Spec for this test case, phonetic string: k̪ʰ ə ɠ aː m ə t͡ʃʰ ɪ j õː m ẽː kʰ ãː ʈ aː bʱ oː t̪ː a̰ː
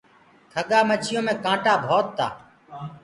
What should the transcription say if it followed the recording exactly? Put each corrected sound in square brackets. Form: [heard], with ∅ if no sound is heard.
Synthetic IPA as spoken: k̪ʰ ə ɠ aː m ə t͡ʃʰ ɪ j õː m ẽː [k] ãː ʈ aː bʱ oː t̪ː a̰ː